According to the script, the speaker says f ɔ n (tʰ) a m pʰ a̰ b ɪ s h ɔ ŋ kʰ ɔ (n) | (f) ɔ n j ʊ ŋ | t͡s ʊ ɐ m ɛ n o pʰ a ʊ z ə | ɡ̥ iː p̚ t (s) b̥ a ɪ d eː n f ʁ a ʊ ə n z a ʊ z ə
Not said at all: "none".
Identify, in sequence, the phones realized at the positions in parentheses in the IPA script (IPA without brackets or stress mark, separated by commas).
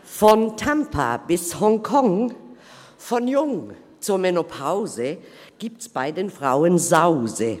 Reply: tʰ, ŋ, f, s